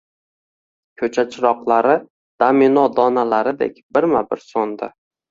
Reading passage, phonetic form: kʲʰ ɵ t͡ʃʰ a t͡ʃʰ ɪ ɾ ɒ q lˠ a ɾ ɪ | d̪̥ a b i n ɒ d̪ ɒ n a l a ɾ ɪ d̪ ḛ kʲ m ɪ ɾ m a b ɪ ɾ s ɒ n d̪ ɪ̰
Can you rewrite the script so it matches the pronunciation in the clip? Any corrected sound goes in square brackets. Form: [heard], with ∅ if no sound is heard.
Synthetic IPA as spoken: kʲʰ ɵ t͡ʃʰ a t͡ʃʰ ɪ ɾ ɒ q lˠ a ɾ ɪ | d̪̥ a [m] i n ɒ d̪ ɒ n a l a ɾ ɪ d̪ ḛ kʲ [b] ɪ ɾ m a b ɪ ɾ s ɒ n d̪ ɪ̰